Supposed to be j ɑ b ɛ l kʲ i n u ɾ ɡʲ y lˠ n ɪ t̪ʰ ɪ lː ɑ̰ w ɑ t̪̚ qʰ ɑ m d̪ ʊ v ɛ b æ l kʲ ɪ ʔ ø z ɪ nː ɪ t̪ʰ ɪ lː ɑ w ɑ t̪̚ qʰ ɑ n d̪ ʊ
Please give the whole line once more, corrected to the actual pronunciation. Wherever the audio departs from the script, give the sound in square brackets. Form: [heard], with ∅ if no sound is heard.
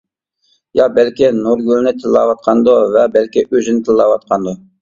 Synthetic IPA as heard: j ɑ b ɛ l kʲ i n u ɾ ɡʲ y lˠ n ɪ t̪ʰ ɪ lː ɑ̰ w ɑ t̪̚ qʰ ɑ [n] d̪ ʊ v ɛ b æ l kʲ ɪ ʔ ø z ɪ [n] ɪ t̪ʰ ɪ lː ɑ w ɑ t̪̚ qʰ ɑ n d̪ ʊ